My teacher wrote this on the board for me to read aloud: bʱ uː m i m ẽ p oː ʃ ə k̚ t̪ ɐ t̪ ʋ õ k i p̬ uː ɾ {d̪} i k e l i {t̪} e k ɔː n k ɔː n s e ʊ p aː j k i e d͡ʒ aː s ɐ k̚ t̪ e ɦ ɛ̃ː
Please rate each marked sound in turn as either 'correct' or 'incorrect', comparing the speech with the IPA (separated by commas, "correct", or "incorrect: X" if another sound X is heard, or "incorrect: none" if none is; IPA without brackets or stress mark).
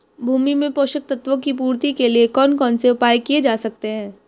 incorrect: t̪, incorrect: none